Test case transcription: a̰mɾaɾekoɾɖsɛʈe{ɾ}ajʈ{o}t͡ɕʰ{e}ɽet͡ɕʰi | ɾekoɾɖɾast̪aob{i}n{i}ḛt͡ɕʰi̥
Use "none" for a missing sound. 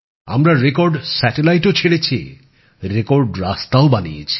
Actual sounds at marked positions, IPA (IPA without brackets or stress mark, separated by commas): l, o, e, a, i